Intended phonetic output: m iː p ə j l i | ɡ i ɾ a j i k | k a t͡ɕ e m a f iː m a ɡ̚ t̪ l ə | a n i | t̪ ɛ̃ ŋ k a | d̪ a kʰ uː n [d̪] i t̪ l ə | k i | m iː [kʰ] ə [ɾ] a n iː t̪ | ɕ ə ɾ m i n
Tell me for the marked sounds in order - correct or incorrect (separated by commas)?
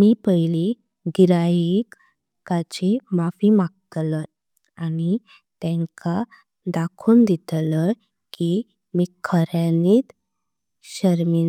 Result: correct, correct, correct